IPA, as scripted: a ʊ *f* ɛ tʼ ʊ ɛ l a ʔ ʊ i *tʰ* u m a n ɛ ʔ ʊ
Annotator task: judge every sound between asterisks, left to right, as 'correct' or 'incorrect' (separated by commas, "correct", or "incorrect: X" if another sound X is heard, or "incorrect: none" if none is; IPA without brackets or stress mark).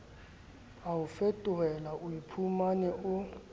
correct, incorrect: pʰ